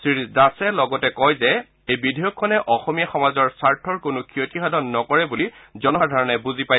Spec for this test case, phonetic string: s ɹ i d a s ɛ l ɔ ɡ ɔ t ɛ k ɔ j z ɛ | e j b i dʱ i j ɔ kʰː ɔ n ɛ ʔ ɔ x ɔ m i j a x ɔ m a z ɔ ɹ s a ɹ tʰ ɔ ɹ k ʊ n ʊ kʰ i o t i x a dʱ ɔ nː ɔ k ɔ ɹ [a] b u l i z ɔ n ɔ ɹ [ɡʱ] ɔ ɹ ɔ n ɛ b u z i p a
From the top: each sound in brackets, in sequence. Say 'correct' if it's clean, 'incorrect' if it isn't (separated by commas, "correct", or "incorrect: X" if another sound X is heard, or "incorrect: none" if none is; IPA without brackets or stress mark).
incorrect: ɛ, incorrect: dʱ